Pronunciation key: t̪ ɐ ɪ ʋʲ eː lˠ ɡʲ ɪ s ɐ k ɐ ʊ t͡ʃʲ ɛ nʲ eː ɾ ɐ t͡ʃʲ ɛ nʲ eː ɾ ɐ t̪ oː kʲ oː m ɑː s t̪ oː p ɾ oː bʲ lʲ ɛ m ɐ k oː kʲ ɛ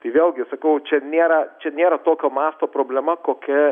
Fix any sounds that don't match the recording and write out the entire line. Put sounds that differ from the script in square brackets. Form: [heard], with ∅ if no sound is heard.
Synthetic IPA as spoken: t̪ ɐ ɪ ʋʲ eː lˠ ɡʲ ɪ s ɐ k ɐ ʊ t͡ʃʲ ɛ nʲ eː ɾ ɐ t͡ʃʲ ɛ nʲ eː ɾ ɐ t̪ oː kʲ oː m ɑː s t̪ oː p ɾ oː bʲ lʲ ɛ m ɐ k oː kʲ ɛ